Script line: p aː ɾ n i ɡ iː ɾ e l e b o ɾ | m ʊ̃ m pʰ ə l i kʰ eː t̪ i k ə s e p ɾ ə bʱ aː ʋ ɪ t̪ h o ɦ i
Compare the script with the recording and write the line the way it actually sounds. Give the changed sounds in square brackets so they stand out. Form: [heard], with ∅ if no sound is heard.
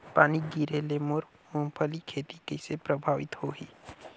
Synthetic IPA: p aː [∅] n i ɡ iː ɾ e l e [m] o ɾ | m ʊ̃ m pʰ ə l i kʰ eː t̪ i k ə s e p ɾ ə bʱ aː ʋ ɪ t̪ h o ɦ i